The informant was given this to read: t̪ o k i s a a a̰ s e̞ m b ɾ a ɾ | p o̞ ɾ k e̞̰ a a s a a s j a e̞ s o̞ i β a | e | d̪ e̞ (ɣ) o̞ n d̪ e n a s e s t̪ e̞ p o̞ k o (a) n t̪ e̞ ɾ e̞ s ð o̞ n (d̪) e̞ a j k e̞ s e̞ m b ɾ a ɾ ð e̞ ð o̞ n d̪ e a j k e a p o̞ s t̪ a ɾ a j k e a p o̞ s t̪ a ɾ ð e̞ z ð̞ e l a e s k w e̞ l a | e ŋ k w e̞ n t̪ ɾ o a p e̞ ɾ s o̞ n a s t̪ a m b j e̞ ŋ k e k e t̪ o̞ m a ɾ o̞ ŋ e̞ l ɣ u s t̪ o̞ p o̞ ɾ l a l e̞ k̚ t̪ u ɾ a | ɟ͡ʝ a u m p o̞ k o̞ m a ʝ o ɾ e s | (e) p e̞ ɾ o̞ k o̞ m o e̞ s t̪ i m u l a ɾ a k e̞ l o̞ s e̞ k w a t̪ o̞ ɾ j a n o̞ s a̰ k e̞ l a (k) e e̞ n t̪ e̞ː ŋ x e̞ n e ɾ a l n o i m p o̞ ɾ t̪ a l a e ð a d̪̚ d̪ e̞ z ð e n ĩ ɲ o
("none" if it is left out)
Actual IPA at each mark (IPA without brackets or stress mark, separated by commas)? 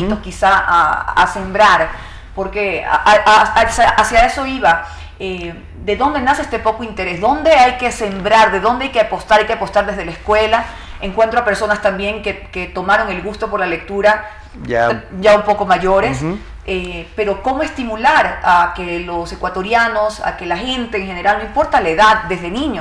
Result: ð, i, d̪, e, x